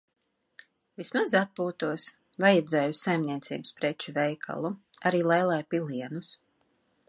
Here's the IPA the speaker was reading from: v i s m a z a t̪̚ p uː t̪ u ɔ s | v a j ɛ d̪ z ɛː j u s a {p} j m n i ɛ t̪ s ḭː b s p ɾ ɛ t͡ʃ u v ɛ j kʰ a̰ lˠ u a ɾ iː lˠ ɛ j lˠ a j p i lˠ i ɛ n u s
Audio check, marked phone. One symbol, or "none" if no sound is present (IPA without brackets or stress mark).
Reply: none